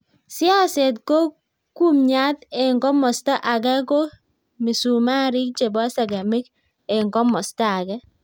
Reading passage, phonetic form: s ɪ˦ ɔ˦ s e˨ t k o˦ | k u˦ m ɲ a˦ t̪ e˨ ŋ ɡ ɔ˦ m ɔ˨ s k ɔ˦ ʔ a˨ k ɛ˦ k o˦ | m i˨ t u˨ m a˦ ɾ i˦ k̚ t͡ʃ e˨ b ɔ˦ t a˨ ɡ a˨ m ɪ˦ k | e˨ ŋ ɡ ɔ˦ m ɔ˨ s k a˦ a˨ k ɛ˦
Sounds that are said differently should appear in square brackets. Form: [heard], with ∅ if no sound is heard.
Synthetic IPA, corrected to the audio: s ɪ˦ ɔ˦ s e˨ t k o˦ | k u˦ m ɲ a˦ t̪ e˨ ŋ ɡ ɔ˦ m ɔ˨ s [t] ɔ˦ ʔ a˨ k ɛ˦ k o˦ | m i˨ [s] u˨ m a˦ ɾ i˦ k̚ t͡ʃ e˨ b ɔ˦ [s] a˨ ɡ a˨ m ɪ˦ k | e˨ ŋ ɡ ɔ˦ m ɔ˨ s [t] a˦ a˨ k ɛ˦

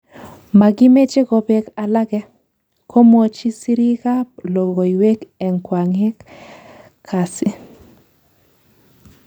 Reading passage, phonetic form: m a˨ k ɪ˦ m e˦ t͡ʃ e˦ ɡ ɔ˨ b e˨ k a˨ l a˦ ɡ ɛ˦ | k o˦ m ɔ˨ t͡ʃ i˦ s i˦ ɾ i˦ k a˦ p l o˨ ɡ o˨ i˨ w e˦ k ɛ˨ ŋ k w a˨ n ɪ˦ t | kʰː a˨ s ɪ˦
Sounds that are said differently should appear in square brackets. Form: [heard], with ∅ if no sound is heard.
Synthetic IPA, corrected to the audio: m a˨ [ɡ] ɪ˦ m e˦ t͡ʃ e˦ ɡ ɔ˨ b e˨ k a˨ l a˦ ɡ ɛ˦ | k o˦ m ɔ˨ t͡ʃ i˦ s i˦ ɾ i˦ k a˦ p l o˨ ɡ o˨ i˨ w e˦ k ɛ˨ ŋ k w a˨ [ŋ] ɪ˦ [k] | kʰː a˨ s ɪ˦

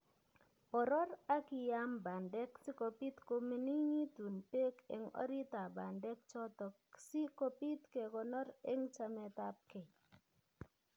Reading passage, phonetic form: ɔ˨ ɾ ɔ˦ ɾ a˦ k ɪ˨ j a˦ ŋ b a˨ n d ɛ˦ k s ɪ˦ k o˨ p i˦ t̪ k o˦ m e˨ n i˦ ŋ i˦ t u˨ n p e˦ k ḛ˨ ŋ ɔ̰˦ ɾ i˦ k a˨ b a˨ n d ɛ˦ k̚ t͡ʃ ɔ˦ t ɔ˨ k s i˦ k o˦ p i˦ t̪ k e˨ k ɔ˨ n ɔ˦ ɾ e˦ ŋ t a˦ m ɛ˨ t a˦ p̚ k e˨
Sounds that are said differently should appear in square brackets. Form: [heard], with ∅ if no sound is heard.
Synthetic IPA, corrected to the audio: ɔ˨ ɾ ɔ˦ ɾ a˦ k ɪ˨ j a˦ [m] b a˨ n d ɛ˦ k s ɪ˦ k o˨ p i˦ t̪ k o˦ m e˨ n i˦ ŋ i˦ t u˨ n p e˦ k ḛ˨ ŋ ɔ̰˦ ɾ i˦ [t] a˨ b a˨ n d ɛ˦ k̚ t͡ʃ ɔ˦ t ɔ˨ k s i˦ k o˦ p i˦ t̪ k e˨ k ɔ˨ n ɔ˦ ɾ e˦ ŋ [t͡ʃ] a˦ m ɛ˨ t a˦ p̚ k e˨

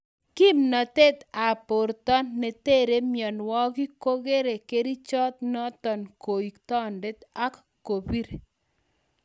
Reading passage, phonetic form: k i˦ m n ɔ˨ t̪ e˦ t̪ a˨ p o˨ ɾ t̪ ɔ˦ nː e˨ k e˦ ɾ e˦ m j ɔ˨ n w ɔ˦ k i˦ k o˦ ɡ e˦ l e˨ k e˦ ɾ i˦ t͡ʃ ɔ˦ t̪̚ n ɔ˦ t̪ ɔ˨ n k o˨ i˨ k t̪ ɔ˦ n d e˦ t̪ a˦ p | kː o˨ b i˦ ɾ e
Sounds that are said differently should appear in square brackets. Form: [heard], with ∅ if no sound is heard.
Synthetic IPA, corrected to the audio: k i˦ m n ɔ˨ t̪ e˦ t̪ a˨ p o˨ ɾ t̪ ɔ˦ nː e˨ [t] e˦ ɾ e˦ m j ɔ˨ n w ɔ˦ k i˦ k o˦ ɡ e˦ [ɾ] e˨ k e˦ ɾ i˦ t͡ʃ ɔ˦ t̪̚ n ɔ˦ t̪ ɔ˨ n k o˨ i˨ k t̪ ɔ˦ n d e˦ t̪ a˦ [k] | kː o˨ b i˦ ɾ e

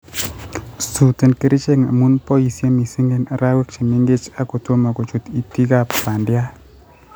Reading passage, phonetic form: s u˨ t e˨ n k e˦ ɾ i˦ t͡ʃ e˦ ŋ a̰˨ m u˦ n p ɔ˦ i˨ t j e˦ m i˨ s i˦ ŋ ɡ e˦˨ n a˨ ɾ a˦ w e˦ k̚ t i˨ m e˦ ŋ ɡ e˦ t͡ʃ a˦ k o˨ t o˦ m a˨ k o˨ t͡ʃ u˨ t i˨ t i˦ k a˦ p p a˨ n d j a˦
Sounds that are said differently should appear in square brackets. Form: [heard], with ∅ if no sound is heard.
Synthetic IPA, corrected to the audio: s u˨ t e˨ n k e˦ ɾ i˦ t͡ʃ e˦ ŋ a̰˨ m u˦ n p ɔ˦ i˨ [s] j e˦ m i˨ s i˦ ŋ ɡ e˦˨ n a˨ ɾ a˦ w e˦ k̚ [t͡ʃ] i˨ m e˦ ŋ ɡ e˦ t͡ʃ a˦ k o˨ t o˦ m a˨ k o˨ t͡ʃ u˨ t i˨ t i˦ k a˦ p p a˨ n d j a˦

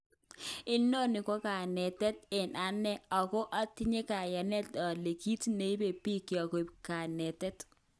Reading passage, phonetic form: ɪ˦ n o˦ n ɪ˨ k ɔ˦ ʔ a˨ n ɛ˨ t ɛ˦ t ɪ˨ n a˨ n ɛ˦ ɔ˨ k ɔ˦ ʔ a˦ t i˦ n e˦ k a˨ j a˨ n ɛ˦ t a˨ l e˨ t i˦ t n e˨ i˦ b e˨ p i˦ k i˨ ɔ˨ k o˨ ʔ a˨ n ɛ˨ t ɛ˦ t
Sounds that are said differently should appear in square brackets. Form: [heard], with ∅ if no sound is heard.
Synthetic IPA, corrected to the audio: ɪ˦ n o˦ n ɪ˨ k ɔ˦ [k] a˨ n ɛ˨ t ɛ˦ t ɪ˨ n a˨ n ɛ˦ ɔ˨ k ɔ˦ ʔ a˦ t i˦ [ɲ] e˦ k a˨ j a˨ n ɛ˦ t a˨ l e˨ [k] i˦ t n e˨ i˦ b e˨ p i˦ k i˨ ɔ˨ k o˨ [k] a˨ n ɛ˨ t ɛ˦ t

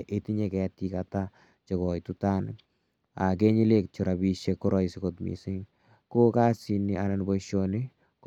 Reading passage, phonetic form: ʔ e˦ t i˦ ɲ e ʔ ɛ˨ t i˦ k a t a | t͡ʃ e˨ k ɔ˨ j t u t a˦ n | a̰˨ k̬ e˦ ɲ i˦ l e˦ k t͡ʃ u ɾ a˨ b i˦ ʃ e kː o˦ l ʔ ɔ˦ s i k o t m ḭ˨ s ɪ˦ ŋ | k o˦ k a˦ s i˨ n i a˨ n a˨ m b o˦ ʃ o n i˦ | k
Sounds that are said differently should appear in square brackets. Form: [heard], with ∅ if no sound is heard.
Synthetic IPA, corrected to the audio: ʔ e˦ t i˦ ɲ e [k] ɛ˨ t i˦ k a t a | t͡ʃ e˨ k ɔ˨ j t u t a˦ n | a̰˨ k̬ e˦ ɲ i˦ l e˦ k t͡ʃ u ɾ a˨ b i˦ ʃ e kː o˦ [ɾ] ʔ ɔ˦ s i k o t m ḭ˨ s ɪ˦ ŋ | k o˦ k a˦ s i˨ n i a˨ n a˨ [n] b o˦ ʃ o n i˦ | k

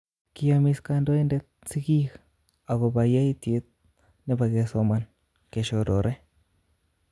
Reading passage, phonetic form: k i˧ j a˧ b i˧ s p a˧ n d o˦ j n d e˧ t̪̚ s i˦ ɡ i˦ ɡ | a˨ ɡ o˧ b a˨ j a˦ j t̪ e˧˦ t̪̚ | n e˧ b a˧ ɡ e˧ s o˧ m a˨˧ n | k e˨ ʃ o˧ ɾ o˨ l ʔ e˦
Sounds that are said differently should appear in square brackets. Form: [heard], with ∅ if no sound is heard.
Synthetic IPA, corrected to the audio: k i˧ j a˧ [m] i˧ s [k] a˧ n d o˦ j n d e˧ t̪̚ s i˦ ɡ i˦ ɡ | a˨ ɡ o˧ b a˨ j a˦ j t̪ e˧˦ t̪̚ | n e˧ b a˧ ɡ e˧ s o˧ m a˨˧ n | k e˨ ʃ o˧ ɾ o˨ [ɾ] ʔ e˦

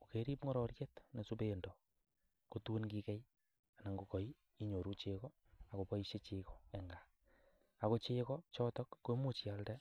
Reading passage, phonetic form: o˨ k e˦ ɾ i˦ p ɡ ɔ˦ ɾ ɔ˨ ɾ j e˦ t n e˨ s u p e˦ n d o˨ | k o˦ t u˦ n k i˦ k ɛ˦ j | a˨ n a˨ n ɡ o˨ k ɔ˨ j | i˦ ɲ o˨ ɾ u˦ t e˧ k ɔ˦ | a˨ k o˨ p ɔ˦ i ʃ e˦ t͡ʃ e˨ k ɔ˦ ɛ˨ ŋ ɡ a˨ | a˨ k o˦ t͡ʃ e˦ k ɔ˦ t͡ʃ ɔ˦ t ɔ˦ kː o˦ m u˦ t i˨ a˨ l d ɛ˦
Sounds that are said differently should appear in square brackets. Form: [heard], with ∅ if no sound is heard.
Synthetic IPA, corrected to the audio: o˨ k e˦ ɾ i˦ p [ŋ] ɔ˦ ɾ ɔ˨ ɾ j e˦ t n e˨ s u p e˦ n d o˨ | k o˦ t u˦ n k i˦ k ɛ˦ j | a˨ n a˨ [ŋ] ɡ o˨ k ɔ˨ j | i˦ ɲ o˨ ɾ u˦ [t͡ʃ] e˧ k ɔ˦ | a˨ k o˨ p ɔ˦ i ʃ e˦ t͡ʃ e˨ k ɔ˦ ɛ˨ ŋ ɡ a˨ | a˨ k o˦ t͡ʃ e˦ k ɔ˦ t͡ʃ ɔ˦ t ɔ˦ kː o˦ m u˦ [t͡ʃ] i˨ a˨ l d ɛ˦

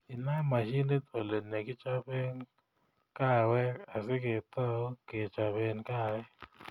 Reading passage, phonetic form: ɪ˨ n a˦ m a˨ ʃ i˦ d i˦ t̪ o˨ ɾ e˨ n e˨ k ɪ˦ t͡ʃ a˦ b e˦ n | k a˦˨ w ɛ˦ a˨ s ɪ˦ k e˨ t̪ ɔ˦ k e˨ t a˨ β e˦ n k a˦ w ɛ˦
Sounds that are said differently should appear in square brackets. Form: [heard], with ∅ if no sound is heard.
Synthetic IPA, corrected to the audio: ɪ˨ n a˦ m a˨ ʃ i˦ [n] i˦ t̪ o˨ [l] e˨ n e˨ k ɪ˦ t͡ʃ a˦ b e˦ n | k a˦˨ w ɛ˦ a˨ s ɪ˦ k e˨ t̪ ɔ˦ k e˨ [t͡ʃ] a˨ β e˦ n k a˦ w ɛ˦

